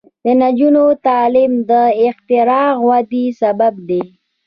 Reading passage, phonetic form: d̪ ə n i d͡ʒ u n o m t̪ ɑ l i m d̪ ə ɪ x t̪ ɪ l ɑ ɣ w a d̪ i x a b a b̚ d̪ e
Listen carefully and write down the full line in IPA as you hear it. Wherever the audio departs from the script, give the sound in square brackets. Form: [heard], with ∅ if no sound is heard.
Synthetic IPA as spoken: d̪ ə n [a] d͡ʒ u n o [∅] t̪ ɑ l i m d̪ ə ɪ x t̪ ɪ [ɾ] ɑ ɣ w a d̪ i [s] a b a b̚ d̪ e